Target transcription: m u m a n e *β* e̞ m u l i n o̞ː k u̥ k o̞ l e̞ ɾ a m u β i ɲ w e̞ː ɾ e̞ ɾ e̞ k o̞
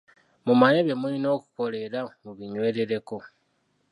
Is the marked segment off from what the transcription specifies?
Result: no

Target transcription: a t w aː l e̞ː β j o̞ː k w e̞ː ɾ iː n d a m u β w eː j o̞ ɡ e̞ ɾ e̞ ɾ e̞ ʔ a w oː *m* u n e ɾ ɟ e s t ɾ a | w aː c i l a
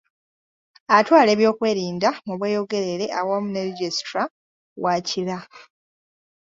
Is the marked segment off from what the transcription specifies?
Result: no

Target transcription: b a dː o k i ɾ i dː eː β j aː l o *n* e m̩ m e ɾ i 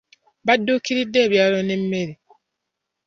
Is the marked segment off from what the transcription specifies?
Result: no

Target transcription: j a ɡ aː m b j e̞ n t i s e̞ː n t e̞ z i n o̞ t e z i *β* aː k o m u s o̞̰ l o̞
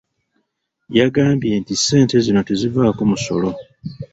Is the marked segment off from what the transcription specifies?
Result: yes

